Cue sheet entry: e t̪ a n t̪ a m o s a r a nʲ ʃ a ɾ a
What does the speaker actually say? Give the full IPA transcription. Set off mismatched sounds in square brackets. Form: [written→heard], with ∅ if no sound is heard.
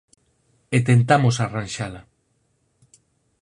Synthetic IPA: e t̪ [a→e] n t̪ a m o s a r a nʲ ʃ a [ɾ→l] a